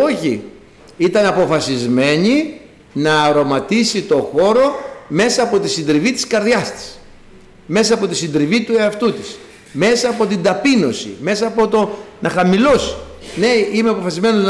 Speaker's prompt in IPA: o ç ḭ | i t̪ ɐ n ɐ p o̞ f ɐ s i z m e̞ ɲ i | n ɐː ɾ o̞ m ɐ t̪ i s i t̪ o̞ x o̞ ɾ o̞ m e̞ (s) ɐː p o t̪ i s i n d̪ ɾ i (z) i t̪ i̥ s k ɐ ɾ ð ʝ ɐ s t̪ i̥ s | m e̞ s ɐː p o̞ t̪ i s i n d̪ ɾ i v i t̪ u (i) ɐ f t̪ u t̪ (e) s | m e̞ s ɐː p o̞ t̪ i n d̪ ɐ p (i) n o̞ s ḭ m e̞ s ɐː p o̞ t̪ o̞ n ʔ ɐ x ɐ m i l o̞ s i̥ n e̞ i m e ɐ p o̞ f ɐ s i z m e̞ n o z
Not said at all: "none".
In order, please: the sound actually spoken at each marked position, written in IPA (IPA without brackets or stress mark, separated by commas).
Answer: s, v, e, i, i